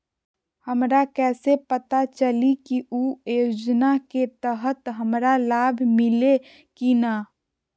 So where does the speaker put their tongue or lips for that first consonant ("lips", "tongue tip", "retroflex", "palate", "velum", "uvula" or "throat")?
throat